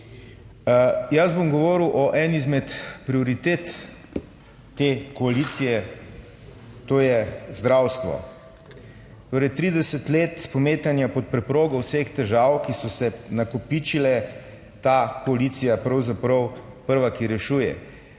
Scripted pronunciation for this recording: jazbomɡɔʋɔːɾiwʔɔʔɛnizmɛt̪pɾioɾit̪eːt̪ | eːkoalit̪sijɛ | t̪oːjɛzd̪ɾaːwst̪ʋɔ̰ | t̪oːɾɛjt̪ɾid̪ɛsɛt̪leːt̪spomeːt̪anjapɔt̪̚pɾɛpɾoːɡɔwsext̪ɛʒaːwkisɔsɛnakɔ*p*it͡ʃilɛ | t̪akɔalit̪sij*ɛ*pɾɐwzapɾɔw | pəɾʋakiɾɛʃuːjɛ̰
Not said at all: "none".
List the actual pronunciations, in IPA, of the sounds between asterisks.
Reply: p, a

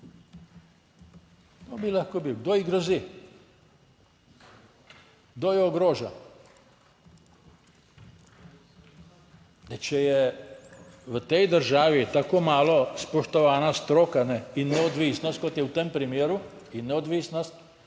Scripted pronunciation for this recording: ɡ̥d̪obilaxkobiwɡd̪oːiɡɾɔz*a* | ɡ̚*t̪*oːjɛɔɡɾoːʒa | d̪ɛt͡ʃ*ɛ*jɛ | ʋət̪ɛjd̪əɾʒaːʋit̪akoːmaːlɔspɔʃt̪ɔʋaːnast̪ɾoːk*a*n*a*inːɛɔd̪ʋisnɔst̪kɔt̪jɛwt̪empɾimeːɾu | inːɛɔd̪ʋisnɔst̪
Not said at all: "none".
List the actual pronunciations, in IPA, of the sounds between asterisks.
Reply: i, d̪, ɛ, a, ɛ

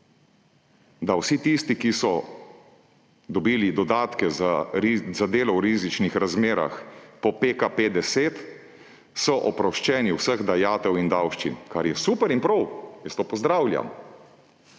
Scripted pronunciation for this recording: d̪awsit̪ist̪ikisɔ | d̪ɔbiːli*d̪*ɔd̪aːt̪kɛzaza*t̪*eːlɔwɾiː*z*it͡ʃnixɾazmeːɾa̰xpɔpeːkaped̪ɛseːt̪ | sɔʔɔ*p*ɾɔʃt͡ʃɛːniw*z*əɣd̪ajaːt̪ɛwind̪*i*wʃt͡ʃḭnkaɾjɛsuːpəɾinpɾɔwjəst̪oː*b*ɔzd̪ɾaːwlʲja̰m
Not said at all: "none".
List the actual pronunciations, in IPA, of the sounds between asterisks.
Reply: d̪, d̪, z, p, s, a, p

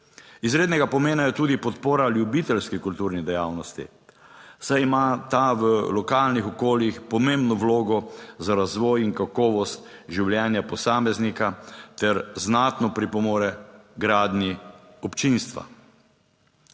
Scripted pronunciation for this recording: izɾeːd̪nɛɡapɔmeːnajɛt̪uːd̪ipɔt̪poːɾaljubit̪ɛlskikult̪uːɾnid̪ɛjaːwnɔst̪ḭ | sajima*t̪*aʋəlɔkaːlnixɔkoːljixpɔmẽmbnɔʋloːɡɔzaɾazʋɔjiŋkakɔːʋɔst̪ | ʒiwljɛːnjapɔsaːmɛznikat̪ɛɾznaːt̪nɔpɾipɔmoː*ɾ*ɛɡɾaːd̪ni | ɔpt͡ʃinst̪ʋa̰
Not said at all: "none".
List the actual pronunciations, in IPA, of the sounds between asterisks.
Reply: t̪, ɾ

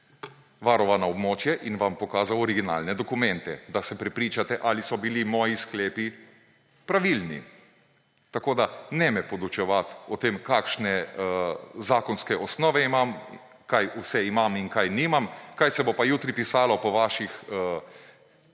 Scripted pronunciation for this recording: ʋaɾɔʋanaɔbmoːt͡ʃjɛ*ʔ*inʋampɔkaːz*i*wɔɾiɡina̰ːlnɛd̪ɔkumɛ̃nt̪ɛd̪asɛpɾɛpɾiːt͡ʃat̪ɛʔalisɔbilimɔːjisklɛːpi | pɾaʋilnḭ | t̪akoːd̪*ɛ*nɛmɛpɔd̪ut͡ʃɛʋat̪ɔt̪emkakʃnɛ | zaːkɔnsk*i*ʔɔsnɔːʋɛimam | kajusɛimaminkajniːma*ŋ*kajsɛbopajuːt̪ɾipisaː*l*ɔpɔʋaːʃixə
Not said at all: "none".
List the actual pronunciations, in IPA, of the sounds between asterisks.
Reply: ʔ, a, a, ɛ, m, l

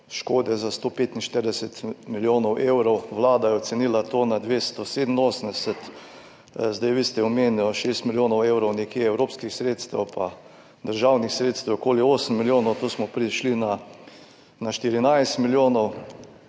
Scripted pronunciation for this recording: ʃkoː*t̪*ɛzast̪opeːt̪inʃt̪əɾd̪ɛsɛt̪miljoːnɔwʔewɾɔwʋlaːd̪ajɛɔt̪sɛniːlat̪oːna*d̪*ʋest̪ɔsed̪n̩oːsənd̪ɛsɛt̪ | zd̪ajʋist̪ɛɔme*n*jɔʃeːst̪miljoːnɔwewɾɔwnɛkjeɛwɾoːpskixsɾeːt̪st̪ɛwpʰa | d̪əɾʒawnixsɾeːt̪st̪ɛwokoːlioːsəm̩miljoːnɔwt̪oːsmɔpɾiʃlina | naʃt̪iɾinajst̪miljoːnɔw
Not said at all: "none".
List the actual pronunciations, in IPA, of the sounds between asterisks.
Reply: d̪, d̪, n

